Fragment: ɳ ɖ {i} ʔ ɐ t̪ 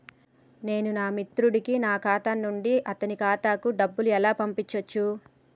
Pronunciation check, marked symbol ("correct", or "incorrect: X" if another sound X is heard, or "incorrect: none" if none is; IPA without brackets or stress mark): correct